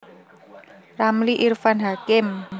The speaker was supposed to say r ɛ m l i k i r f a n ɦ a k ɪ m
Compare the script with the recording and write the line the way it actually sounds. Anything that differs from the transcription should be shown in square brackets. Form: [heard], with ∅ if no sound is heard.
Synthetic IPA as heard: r [a] m l i [ʔ] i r f a n ɦ a k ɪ m